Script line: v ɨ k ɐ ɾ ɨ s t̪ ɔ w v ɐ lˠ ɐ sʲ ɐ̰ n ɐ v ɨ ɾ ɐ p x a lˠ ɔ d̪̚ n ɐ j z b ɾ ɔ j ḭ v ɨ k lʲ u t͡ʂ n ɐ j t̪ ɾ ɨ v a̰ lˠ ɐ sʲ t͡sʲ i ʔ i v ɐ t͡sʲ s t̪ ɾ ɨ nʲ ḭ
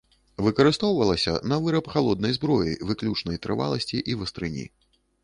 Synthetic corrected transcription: v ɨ k ɐ ɾ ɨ s t̪ ɔ w v ɐ lˠ ɐ sʲ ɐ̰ n ɐ v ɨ ɾ ɐ p x a lˠ ɔ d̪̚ n ɐ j z b ɾ ɔ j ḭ v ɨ k lʲ u t͡ʂ n ɐ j t̪ ɾ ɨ v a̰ lˠ ɐ sʲ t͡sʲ i ʔ i v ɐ s t̪ ɾ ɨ nʲ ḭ